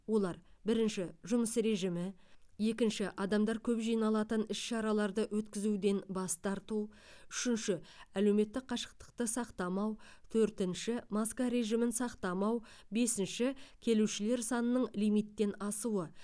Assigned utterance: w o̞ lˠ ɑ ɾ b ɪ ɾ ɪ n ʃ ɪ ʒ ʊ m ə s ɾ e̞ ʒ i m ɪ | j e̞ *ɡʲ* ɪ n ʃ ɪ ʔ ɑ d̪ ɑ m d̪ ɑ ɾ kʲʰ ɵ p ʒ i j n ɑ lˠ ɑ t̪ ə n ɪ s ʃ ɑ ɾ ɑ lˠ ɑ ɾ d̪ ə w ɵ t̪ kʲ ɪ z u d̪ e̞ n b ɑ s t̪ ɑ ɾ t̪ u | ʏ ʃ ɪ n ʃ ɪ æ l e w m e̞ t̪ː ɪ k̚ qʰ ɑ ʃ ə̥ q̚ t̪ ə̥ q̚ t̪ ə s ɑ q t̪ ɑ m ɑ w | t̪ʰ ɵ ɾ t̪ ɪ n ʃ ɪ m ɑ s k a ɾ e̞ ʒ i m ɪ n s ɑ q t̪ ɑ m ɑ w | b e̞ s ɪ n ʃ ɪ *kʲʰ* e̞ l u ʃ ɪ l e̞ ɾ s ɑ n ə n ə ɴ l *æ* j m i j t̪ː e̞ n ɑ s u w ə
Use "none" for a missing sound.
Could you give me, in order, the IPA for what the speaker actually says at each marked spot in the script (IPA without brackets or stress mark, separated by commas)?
kʲ, kʲʰ, i